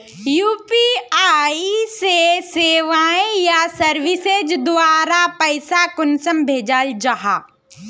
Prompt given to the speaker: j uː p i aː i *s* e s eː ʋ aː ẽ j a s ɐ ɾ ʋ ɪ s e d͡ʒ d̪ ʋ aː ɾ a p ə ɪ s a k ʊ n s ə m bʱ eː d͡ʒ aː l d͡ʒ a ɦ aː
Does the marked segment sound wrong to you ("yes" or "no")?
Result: no